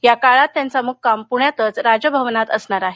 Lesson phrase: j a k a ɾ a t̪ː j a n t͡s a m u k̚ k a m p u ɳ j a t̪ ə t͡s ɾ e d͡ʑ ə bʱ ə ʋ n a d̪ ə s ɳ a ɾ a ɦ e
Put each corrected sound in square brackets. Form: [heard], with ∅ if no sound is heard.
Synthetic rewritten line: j a k a [ɭ] a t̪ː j a n t͡s a m u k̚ k a m p u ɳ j a t̪ ə t͡s ɾ [a] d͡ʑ ə bʱ ə ʋ n a [t̪] ə s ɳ a ɾ a ɦ e